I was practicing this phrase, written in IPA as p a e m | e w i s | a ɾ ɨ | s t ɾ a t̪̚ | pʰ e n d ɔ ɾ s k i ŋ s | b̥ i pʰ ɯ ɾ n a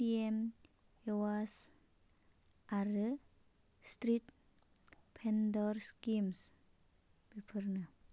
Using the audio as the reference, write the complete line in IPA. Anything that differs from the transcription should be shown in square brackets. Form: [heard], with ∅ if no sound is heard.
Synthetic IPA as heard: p [i] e m | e w [a] s | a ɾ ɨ | s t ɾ [i] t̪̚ | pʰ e n d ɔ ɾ s k i [m] s | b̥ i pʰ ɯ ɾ n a

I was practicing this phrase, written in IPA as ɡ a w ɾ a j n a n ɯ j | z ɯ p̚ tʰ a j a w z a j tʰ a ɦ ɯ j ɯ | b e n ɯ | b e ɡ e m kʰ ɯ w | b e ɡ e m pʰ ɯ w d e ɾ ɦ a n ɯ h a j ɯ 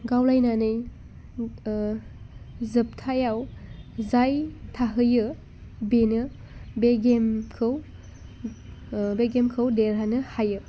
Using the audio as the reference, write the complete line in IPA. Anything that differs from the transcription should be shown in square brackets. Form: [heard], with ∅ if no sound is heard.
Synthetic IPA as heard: ɡ a w [l] a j n a n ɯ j | z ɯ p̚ tʰ a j a w z a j tʰ a ɦ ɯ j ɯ | b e n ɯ | b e ɡ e m kʰ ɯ w | b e ɡ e m [kʰ] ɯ w d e ɾ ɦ a n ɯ h a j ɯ

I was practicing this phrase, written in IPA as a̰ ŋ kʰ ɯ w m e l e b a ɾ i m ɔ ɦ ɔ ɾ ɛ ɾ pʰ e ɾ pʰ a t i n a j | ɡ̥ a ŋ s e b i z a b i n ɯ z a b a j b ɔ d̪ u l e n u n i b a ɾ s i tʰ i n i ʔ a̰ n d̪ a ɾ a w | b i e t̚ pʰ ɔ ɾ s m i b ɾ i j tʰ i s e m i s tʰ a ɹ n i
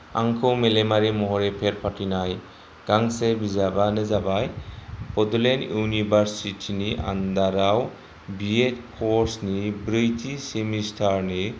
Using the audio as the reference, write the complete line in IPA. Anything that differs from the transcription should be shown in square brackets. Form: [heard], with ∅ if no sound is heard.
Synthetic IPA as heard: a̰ ŋ kʰ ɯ w m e l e [m] a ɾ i m ɔ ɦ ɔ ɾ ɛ [∅] pʰ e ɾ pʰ a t i n a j | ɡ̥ a ŋ s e b i z a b [a] n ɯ z a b a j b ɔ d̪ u l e n u n i b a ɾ s i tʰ i n i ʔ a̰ n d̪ a ɾ a w | b i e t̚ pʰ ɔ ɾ s [n] i b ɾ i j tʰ i s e m i s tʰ a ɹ n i

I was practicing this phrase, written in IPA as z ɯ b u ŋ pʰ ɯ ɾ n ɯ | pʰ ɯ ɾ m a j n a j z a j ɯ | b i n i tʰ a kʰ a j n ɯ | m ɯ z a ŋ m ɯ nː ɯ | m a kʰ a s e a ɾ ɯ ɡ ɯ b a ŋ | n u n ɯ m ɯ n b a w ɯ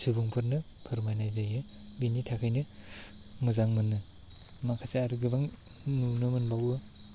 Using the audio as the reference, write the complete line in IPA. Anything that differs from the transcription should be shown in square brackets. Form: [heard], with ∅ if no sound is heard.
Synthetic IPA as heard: [s] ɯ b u ŋ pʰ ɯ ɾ n ɯ | pʰ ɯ ɾ m a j n a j z a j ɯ | b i n i tʰ a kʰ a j n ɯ | m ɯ z a ŋ m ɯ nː ɯ | m a kʰ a s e a ɾ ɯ ɡ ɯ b a ŋ | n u n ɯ m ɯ n b a w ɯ

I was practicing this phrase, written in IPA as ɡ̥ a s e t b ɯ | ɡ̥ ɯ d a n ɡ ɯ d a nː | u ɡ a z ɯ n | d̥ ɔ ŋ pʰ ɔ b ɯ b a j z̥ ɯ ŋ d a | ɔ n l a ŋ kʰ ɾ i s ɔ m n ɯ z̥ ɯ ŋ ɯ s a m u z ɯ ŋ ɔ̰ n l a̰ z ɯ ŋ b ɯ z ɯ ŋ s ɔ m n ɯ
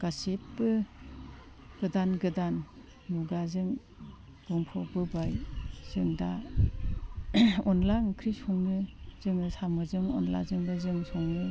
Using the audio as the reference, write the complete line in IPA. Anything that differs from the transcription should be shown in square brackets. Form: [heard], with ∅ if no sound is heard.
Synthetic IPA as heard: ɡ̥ a s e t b ɯ | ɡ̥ ɯ d a n ɡ ɯ d a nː | u ɡ a z ɯ [ŋ] | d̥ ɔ ŋ pʰ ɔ b ɯ b a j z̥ ɯ ŋ d a | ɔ n l a ŋ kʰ ɾ i s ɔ [ŋ] n ɯ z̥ ɯ ŋ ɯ s a m [ɯ] z ɯ ŋ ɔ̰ n l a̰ z ɯ ŋ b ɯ z ɯ ŋ s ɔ [ŋ] n ɯ

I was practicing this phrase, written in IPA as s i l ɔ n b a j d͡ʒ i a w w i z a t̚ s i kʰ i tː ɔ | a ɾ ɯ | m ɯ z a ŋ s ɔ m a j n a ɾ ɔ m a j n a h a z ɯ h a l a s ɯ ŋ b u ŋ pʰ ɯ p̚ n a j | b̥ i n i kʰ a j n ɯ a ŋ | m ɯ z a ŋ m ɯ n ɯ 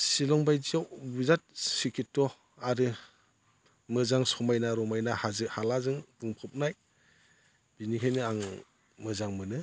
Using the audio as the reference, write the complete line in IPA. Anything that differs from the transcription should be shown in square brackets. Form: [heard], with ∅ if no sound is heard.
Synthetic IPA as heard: s i l ɔ [ŋ] b a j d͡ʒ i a w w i z a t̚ s i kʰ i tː ɔ | a ɾ ɯ | m ɯ z a ŋ s ɔ m a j n a ɾ ɔ m a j n a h a z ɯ h a l a [z] ɯ ŋ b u ŋ pʰ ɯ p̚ n a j | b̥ i n i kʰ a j n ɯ a ŋ | m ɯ z a ŋ m ɯ n ɯ

